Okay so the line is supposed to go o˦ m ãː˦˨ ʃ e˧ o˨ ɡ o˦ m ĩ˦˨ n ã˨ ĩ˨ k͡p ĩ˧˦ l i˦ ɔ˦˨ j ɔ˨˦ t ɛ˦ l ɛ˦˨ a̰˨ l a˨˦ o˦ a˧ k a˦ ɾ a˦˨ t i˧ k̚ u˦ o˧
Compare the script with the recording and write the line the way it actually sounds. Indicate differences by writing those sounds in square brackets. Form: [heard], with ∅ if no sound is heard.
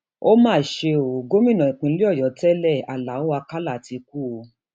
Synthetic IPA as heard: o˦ m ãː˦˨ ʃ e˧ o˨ ɡ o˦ m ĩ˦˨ n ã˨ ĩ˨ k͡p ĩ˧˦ l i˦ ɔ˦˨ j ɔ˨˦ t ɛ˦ l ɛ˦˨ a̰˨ l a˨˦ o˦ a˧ k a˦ [l] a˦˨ t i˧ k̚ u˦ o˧